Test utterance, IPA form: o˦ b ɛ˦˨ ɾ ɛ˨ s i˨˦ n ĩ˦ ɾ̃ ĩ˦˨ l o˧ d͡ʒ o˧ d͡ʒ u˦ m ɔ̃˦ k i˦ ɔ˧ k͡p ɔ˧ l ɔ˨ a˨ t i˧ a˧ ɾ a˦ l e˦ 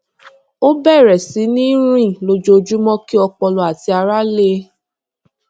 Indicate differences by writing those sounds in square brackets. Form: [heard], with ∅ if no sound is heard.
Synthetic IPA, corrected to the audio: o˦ b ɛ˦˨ ɾ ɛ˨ s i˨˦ n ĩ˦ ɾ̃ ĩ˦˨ l o˧ d͡ʒ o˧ d͡ʒ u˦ m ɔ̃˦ k i˦ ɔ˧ k͡p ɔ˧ l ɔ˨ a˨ t i˧ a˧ ɾ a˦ l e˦